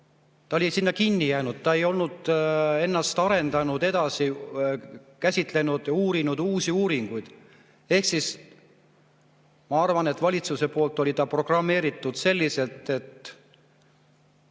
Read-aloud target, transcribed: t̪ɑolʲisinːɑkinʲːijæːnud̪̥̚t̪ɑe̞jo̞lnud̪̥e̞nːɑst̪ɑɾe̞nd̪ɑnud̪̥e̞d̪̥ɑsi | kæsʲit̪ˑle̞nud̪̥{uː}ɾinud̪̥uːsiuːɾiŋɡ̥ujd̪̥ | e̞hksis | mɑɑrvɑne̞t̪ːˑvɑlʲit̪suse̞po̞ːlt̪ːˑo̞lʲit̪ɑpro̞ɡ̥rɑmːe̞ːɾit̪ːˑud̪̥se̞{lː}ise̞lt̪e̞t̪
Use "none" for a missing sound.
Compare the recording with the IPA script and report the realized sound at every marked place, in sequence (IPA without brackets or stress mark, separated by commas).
uː, lː